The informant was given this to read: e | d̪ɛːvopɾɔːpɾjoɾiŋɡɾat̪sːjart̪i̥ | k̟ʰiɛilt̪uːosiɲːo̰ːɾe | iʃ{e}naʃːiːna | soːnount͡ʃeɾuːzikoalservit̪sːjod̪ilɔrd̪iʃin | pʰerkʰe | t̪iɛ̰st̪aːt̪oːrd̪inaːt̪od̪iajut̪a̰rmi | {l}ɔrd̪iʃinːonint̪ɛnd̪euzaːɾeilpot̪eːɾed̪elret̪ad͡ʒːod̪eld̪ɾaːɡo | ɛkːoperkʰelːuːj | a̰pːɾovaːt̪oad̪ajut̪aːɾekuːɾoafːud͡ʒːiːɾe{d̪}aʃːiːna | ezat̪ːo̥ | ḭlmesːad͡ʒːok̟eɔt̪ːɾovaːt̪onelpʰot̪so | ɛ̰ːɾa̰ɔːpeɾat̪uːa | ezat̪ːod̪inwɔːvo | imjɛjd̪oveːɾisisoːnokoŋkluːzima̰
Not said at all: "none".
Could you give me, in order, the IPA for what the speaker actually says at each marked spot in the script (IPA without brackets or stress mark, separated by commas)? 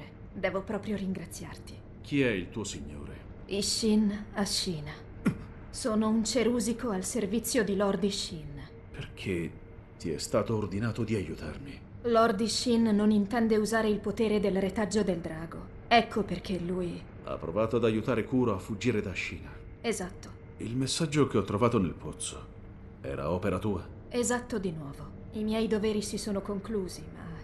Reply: i, l, d̪